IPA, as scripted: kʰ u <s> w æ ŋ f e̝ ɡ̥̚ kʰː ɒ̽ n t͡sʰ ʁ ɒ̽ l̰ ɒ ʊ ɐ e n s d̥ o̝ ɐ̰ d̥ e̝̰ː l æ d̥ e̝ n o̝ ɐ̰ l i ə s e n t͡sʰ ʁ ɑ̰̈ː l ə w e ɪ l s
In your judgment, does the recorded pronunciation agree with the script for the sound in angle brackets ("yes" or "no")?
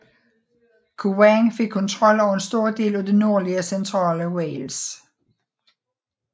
no